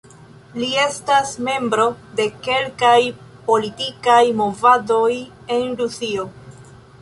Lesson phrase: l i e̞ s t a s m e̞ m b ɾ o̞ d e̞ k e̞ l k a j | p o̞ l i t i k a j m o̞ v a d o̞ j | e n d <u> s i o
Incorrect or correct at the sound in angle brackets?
correct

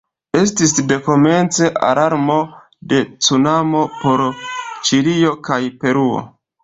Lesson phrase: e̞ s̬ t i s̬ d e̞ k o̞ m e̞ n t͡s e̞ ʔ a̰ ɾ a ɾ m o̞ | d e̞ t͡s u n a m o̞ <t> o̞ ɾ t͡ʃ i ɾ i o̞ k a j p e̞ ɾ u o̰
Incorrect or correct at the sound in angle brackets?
incorrect: p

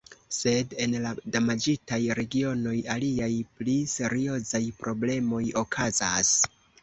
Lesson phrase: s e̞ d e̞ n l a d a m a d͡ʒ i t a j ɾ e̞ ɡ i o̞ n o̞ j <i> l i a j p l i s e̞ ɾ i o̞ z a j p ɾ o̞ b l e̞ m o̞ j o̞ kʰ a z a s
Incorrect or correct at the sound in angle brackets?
incorrect: a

